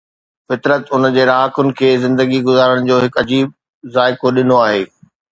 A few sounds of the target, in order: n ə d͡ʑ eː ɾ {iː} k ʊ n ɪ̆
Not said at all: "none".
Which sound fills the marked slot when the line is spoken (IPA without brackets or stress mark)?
aː